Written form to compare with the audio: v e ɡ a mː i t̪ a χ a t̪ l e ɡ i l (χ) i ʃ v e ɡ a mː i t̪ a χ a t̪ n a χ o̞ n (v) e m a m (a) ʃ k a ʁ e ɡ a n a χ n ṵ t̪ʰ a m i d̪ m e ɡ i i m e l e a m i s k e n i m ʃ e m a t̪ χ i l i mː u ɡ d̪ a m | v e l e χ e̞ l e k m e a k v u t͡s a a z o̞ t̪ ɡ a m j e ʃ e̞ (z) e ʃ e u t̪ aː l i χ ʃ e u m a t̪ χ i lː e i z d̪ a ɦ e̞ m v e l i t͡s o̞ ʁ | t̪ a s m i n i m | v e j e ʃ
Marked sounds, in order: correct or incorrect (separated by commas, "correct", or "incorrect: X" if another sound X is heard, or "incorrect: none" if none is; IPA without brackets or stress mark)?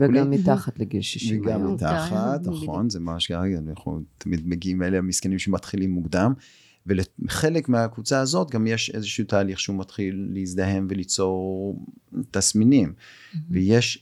incorrect: ʃ, incorrect: z, correct, correct